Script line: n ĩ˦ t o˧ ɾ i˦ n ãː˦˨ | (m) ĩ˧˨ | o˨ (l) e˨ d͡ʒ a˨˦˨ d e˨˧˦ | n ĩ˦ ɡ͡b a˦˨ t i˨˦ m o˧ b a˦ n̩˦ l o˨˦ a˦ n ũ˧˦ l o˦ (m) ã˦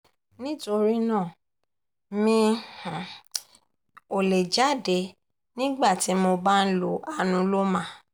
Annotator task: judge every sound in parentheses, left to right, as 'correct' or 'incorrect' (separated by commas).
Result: correct, correct, correct